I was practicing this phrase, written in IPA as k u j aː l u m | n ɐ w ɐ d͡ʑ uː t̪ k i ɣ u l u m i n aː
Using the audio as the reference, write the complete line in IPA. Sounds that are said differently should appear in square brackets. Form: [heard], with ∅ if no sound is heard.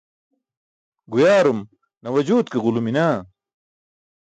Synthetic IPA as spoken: [ɡ] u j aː [ɾ] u m | n ɐ w ɐ d͡ʑ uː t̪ k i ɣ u l u m i n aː